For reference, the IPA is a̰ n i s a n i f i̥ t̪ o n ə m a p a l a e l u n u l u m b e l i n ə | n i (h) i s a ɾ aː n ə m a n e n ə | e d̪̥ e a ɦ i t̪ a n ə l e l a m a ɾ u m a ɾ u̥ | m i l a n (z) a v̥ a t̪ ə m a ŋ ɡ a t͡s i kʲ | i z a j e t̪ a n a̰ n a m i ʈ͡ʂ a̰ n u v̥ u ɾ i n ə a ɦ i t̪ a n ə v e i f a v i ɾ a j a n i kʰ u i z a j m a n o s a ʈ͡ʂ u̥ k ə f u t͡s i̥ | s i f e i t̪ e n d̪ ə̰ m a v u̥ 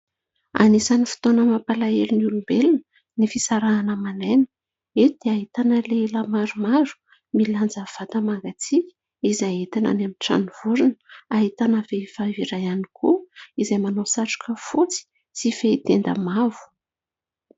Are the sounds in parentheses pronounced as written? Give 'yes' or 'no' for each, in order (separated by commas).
no, no